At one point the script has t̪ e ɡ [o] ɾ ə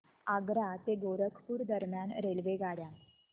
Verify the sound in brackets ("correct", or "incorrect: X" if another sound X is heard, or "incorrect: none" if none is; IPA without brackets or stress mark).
correct